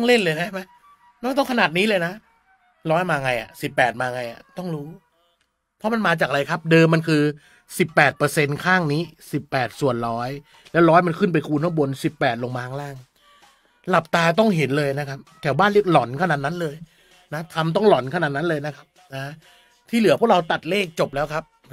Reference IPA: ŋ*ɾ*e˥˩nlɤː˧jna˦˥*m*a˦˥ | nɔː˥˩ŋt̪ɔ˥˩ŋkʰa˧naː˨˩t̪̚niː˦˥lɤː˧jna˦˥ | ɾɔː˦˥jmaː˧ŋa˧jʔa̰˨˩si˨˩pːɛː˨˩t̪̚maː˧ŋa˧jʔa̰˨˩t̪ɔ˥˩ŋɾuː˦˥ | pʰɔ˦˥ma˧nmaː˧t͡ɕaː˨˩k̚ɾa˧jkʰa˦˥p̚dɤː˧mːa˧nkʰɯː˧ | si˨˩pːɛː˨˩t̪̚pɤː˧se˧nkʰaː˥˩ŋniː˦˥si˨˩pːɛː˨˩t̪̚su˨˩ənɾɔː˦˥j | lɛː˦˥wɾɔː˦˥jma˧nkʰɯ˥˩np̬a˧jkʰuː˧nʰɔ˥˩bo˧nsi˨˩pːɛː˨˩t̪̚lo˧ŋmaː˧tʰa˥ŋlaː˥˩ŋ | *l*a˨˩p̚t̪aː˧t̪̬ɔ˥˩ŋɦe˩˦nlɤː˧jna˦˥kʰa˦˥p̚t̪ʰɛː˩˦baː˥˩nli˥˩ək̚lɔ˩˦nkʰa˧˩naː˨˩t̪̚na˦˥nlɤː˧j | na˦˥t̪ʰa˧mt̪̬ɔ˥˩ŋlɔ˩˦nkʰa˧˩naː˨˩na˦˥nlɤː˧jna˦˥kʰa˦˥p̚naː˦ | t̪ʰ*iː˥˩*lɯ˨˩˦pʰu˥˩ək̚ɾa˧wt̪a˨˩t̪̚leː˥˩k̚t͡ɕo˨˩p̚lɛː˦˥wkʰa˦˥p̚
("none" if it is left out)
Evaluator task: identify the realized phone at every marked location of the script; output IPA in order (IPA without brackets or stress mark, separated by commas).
l, m, l, iː˥˩